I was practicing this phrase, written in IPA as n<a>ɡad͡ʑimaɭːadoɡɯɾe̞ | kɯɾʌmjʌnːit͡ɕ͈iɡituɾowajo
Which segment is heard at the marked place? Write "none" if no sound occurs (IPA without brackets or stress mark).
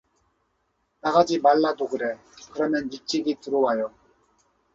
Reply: a